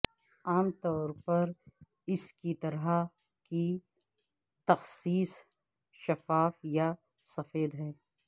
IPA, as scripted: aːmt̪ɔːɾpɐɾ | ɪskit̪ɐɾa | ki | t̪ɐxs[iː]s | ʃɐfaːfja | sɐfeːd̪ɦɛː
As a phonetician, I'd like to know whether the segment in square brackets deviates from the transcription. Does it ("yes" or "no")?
no